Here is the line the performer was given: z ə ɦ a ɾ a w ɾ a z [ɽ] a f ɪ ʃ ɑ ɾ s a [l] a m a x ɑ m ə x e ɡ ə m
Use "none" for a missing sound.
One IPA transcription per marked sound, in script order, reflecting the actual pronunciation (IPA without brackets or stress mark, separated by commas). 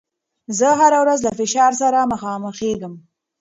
l, ɾ